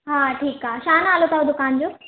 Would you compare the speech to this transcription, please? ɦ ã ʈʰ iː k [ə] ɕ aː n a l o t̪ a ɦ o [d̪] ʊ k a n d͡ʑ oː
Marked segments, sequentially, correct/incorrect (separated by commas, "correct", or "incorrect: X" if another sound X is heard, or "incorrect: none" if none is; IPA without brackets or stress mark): incorrect: a, correct